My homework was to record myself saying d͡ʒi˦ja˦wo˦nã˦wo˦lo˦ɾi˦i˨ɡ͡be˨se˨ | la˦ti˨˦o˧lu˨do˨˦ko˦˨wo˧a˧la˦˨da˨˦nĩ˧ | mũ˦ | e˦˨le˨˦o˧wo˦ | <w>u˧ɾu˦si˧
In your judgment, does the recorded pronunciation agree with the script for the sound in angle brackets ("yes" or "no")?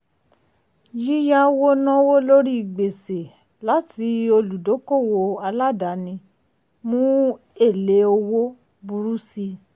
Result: no